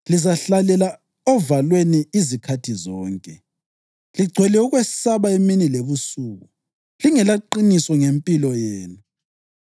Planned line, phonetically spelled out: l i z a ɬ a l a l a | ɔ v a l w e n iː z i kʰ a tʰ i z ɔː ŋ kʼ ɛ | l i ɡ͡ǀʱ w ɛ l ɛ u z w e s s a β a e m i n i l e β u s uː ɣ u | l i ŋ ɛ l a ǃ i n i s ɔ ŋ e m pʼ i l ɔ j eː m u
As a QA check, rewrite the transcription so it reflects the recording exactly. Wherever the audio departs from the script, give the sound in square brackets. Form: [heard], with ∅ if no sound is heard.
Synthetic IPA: l i z a ɬ a l [ɛ] l a | ɔ v a l w e n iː z i kʰ a tʰ i z ɔː ŋ kʼ ɛ | l i ɡ͡ǀʱ w ɛ l ɛ u [ɣ] w e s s a β a e m i n i l e β u s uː ɣ u | l i ŋ ɛ l a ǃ i n i s ɔ ŋ e m pʼ i l ɔ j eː [n] u